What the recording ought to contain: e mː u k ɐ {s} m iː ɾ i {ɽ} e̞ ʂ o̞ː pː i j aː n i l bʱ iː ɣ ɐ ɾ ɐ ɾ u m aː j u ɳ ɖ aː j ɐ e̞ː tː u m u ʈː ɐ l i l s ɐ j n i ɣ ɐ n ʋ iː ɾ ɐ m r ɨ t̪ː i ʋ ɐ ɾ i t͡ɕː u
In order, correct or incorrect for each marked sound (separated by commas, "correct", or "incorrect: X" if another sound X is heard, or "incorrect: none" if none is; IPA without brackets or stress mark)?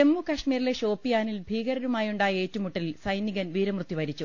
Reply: incorrect: ʂ, incorrect: l